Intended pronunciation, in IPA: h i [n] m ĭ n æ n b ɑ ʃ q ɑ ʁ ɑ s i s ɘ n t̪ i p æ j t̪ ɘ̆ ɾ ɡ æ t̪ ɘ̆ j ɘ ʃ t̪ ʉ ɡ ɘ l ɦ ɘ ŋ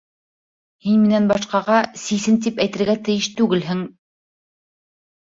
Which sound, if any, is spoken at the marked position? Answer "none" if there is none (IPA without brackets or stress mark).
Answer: n